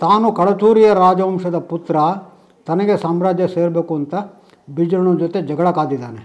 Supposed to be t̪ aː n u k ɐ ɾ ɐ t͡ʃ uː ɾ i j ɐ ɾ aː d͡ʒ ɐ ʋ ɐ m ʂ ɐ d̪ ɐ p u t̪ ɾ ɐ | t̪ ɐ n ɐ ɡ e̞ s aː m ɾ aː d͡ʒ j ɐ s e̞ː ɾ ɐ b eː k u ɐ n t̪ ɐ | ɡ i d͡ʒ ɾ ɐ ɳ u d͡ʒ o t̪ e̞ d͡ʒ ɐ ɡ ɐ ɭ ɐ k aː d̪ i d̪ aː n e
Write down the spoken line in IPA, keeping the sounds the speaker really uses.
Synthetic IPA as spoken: t̪ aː n u k ɐ ɭ ɐ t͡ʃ uː ɾ i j ɐ ɾ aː d͡ʒ ɐ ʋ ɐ m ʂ ɐ d̪ ɐ p u t̪ ɾ ɐ | t̪ ɐ n ɐ ɡ e̞ s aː m ɾ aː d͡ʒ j ɐ s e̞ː ɾ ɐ b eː k u ɐ n t̪ ɐ | b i d͡ʒ ɾ ɐ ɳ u d͡ʒ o t̪ e̞ d͡ʒ ɐ ɡ ɐ ɭ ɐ k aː d̪ i d̪ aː n e